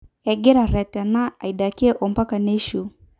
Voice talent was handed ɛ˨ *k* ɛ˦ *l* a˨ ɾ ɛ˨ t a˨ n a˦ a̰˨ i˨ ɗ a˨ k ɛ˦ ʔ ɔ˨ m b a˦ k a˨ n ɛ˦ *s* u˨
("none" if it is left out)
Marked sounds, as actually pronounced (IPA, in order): ɡ, ɾ, ʃ

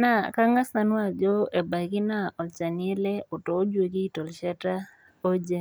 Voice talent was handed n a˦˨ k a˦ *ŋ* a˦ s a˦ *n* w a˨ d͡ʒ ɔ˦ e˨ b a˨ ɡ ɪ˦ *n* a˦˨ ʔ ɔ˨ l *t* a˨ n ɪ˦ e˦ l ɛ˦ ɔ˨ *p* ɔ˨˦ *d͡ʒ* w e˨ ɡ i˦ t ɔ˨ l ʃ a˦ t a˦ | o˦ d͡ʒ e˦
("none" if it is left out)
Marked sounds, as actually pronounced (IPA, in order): ŋ, n, n, t͡ʃ, t, d͡ʒ

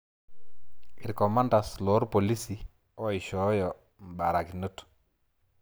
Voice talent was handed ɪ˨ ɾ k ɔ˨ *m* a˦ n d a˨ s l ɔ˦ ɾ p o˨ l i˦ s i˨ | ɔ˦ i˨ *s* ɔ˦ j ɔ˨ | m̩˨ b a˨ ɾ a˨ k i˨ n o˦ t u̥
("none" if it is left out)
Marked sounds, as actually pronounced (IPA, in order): m, ʃ

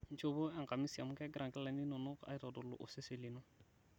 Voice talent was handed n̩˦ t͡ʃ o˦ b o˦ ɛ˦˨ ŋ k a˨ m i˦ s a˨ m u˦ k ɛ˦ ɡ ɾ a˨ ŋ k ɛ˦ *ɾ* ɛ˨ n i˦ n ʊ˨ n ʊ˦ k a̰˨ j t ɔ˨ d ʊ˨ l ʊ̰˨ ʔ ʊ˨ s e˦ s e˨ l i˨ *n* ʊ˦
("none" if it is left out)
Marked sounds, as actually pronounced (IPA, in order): l, n

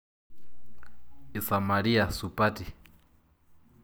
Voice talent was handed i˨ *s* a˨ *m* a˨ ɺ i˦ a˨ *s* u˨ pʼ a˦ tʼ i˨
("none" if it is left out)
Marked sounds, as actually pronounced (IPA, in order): s, m, s

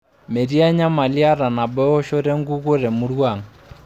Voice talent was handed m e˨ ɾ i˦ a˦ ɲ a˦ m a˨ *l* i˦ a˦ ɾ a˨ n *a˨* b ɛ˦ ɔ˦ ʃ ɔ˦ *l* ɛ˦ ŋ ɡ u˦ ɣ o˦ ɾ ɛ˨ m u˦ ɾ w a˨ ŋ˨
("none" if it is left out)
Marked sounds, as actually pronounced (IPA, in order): l, a˨, ɾ

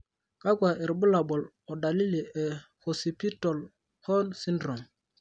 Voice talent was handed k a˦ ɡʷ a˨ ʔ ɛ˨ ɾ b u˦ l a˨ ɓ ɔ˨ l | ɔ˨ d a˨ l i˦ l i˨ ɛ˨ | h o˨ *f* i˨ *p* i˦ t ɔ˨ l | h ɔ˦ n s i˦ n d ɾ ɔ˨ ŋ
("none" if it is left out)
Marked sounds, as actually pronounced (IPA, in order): s, p

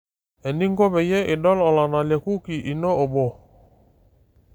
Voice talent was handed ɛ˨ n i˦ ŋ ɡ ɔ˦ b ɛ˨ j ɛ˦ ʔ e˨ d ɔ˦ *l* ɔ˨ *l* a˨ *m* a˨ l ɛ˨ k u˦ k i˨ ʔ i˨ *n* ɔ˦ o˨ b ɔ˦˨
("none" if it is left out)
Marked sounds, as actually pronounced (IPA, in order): l, l, n, n

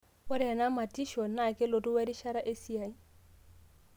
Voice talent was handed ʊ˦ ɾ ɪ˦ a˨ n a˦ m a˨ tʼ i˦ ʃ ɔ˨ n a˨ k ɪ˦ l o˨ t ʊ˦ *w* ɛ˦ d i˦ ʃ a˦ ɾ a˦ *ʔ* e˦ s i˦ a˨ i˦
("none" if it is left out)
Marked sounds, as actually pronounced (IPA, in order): w, ʔ

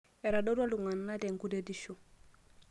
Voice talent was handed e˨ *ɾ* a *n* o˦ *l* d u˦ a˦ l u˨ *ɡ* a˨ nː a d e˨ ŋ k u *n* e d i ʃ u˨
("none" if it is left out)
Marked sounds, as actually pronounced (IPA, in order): ɾ, d, none, ŋ, d

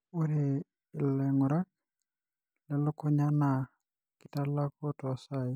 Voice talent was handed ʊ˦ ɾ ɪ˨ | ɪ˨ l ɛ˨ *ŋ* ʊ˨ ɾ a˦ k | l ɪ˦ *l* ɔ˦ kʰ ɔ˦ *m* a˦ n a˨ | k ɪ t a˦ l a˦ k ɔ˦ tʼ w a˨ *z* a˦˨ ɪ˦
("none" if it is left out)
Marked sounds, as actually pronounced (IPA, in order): ŋ, l, ɲ, s

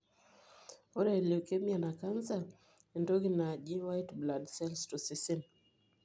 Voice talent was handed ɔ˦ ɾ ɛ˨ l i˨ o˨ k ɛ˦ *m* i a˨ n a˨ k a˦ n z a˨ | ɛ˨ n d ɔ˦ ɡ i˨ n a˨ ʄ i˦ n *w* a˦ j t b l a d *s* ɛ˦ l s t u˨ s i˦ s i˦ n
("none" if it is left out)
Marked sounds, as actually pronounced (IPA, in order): m, w, s

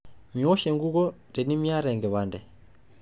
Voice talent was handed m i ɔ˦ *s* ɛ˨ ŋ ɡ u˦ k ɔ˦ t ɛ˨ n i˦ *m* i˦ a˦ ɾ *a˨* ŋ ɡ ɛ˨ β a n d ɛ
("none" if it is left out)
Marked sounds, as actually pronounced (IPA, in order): ʃ, m, ɛ˨

